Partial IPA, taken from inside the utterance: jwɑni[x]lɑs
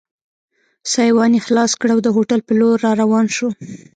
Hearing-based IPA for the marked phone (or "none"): x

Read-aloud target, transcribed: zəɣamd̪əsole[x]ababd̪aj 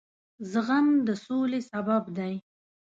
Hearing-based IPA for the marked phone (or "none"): s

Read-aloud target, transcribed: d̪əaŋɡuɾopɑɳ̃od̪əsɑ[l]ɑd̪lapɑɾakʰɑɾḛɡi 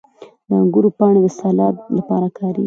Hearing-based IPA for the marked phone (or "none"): l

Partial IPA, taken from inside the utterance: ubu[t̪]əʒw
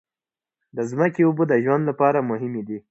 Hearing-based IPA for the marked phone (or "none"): d̪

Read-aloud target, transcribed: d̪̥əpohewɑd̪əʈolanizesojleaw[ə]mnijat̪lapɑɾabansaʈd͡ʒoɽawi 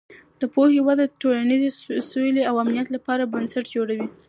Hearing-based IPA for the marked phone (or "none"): a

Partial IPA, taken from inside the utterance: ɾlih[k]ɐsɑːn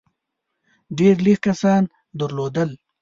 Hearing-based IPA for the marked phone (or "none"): k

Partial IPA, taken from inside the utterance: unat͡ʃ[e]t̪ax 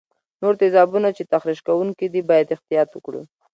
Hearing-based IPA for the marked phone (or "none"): e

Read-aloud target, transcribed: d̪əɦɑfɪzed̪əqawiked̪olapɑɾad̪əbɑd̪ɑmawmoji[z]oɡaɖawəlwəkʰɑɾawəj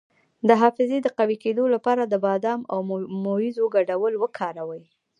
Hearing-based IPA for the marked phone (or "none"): z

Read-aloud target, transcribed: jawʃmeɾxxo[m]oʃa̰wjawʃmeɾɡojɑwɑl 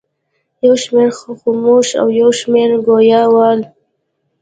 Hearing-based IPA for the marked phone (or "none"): m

